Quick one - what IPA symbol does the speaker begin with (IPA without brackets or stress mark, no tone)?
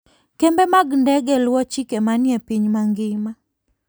k